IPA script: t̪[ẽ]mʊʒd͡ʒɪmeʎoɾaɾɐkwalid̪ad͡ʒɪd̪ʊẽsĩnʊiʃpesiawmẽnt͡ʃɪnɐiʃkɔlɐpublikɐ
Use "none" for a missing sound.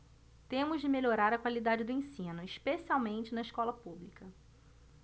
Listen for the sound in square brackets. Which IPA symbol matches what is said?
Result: ẽ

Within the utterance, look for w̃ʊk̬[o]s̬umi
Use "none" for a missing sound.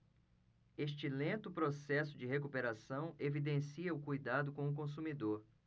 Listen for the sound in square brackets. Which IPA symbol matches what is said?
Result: õ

